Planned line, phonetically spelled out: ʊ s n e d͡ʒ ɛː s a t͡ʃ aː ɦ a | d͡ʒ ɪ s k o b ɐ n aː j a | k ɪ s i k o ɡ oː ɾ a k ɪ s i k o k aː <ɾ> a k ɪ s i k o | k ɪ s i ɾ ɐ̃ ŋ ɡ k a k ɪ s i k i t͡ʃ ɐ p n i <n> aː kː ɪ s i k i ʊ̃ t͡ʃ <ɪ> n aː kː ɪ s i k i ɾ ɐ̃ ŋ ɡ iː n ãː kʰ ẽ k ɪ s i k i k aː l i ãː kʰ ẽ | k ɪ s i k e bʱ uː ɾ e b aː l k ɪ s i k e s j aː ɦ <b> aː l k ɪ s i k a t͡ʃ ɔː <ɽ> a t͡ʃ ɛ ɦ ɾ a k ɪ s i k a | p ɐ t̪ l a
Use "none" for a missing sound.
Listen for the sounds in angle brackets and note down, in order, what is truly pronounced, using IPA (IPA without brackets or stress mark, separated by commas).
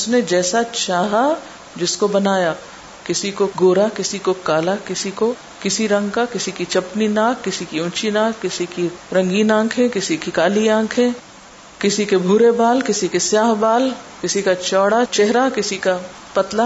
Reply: l, n, i, b, ɽ